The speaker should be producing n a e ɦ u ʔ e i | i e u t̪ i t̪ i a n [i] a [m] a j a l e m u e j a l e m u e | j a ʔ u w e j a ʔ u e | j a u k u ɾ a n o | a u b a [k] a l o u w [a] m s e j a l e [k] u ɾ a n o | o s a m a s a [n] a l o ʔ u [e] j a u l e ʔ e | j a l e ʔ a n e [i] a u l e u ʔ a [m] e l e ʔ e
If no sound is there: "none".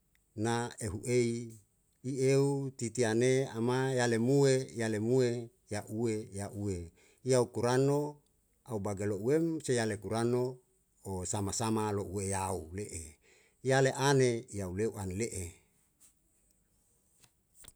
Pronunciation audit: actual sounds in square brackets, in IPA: e, m, ɡ, e, k, m, e, j, n

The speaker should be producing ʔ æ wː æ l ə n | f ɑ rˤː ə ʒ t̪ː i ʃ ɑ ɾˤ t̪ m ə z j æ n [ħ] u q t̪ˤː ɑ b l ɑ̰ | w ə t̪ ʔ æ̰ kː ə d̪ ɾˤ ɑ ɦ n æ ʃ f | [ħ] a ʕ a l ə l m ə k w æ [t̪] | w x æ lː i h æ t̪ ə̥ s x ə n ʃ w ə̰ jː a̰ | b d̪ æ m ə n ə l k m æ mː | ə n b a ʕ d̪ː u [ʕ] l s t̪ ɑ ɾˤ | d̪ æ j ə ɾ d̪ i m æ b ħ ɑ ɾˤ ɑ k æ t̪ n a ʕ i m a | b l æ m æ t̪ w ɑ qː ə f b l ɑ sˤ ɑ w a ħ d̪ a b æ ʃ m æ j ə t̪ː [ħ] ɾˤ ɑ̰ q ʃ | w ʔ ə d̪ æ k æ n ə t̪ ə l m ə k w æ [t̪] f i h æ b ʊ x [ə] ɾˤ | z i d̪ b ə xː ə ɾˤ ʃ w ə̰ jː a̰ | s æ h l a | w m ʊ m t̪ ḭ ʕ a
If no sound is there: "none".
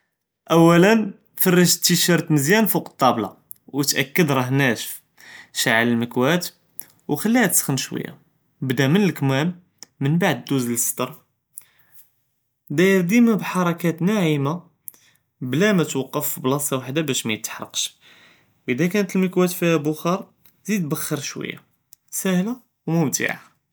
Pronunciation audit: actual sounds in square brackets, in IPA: f, ʃ, t̪, z, ħ, t̪, ɑ

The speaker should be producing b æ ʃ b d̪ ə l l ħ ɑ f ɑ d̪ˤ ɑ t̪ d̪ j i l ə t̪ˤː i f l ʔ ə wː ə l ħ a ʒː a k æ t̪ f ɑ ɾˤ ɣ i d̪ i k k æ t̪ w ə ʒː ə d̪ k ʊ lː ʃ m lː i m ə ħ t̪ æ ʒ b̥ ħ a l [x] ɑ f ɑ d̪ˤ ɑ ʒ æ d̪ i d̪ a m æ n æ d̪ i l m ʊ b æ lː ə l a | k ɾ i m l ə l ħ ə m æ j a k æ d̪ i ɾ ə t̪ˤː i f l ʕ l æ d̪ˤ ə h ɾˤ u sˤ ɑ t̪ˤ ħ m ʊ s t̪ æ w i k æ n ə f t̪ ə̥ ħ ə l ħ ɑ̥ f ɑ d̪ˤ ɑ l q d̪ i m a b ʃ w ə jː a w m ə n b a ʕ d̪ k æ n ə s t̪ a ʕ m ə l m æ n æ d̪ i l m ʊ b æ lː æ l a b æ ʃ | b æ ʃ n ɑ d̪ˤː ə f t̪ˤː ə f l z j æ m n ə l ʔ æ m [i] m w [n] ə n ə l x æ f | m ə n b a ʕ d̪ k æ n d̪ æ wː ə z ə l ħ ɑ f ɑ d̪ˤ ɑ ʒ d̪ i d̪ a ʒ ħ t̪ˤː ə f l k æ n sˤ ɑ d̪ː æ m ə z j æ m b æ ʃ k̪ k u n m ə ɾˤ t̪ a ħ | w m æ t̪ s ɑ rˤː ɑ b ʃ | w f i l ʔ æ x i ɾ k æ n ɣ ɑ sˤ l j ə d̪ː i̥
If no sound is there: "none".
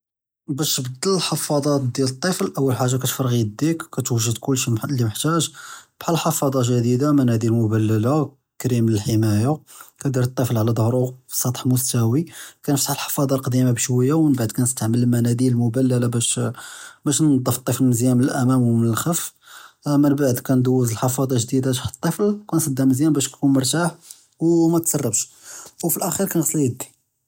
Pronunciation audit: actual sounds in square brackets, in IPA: ħ, æ, m

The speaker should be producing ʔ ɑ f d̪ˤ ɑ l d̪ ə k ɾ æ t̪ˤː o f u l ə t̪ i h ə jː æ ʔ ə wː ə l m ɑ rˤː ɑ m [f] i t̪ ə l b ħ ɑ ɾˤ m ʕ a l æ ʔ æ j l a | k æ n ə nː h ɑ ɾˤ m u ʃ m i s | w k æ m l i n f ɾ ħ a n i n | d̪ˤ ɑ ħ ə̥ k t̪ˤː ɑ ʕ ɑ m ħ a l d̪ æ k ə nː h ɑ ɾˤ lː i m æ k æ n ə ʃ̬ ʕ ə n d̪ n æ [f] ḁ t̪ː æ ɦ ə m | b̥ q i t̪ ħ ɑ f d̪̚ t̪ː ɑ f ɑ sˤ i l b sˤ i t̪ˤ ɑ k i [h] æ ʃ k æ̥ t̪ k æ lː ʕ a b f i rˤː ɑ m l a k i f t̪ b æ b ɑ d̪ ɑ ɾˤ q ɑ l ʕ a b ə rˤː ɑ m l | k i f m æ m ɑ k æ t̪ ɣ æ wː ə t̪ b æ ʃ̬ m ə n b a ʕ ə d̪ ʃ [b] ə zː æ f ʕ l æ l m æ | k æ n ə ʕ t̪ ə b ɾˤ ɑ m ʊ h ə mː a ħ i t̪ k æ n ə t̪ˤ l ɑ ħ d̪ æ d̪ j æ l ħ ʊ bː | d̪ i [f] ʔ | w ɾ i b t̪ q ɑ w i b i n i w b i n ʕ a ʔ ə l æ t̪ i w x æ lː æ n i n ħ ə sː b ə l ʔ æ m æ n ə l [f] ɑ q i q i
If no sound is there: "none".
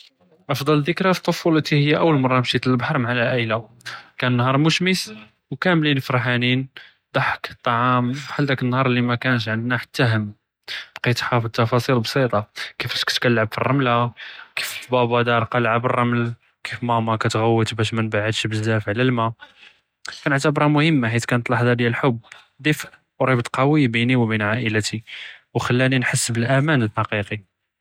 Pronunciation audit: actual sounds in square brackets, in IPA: ʃ, ħ, f, b, f, ħ

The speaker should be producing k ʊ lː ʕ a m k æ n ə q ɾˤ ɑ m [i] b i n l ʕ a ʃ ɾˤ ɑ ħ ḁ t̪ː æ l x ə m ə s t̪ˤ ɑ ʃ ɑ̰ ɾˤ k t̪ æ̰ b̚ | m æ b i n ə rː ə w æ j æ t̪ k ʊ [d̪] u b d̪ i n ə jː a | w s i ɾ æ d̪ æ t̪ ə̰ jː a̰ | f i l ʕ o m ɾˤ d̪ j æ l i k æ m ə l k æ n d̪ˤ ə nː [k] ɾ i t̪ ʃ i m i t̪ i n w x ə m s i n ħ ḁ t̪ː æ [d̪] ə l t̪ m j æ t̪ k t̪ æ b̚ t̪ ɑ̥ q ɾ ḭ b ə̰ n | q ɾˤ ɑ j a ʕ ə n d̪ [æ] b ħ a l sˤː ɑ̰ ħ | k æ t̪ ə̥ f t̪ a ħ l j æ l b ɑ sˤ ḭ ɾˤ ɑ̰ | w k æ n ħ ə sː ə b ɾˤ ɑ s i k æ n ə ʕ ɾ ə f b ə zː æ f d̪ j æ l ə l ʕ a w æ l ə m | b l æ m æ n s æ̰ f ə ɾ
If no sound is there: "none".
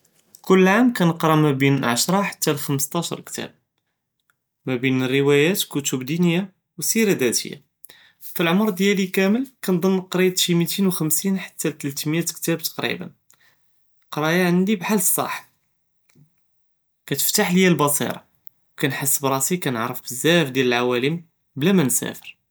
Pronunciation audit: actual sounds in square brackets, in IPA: æ, t̪, q, t̪, i

